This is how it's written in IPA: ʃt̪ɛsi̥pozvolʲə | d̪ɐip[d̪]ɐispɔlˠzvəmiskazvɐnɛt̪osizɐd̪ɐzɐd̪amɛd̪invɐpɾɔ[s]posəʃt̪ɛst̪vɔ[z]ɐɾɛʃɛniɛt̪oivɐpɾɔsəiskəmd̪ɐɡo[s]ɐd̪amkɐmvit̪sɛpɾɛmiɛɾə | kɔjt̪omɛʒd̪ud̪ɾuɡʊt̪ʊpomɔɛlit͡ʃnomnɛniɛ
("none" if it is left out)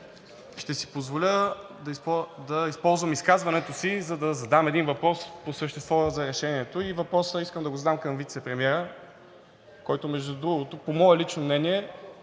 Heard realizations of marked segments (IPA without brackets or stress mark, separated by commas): d̪, s, z, z